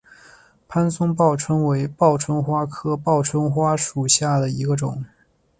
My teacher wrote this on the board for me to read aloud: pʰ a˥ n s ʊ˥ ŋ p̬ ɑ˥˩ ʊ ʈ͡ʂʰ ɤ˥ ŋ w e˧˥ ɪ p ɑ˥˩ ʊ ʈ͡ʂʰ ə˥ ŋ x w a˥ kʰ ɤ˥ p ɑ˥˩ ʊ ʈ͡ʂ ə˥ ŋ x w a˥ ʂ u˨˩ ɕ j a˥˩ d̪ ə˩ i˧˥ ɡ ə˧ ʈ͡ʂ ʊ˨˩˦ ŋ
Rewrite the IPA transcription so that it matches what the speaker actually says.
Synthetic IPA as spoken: pʰ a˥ n s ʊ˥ ŋ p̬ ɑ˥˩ ʊ ʈ͡ʂʰ ɤ˥ ŋ w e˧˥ ɪ p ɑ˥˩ ʊ ʈ͡ʂʰ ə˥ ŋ x w a˥ kʰ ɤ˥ p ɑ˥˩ ʊ ʈ͡ʂʰ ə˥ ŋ x w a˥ ʂ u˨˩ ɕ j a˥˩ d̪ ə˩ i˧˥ ɡ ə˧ ʈ͡ʂ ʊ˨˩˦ ŋ

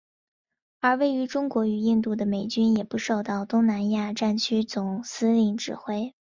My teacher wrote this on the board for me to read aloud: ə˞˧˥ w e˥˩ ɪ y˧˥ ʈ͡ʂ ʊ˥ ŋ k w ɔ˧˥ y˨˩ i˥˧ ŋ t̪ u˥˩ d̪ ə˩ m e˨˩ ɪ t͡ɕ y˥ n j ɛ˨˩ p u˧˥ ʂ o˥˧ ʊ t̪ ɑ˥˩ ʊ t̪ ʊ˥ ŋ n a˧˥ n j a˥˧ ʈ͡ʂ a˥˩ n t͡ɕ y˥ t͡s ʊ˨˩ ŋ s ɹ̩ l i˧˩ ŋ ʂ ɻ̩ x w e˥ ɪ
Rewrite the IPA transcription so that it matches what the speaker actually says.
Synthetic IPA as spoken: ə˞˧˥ w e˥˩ ɪ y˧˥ ʈ͡ʂ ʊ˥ ŋ k w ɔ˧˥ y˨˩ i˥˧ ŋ t̪ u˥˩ d̪ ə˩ m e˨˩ ɪ t͡ɕ y˥ n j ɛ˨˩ p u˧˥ ʂ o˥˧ ʊ t̪ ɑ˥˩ ʊ t̪ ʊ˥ ŋ n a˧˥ n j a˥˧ ʈ͡ʂ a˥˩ n t͡ɕʰ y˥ t͡s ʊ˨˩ ŋ s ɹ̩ l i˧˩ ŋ ʈ͡ʂ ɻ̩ x w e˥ ɪ

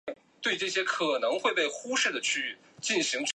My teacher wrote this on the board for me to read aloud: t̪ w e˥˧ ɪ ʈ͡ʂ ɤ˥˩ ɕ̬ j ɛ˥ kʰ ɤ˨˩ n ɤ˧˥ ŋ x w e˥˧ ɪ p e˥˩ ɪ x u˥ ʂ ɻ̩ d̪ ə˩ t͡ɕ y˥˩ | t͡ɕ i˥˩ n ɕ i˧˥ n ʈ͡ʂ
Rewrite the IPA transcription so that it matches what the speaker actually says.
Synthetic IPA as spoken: t̪ w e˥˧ ɪ ʈ͡ʂ ɤ˥˩ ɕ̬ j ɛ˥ kʰ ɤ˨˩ n ɤ˧˥ ŋ x w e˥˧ ɪ p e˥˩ ɪ x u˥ ʂ ɻ̩ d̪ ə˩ t͡ɕʰ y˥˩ | t͡ɕ i˥˩ n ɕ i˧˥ ŋ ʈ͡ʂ

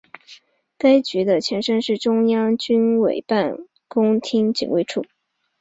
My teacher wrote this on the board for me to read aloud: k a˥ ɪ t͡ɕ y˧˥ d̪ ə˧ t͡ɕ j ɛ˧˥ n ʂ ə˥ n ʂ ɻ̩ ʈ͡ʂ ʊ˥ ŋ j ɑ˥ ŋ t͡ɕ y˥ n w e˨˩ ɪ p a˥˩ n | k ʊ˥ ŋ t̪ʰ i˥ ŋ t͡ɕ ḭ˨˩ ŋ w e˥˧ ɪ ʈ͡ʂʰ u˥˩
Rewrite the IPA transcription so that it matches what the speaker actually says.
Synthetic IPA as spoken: k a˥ ɪ t͡ɕ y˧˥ d̪ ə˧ t͡ɕʰ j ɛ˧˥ n ʂ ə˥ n ʂ ɻ̩ ʈ͡ʂ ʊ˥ ŋ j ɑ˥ ŋ t͡ɕ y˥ n w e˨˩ ɪ p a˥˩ n | k ʊ˥ ŋ t̪ʰ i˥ ŋ t͡ɕ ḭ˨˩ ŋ w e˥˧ ɪ ʈ͡ʂʰ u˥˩

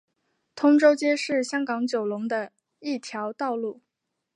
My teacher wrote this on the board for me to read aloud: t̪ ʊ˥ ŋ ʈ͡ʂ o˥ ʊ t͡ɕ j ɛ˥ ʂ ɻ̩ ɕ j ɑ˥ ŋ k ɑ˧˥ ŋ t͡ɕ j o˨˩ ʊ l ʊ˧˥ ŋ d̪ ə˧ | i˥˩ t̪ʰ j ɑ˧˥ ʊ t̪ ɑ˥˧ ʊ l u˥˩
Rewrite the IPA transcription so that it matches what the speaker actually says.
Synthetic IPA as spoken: t̪ʰ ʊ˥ ŋ ʈ͡ʂ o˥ ʊ t͡ɕ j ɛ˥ ʂ ɻ̩ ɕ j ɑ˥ ŋ k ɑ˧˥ ŋ t͡ɕ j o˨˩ ʊ l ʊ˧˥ ŋ d̪ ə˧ | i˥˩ t̪ʰ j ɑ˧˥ ʊ t̪ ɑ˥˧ ʊ l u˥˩

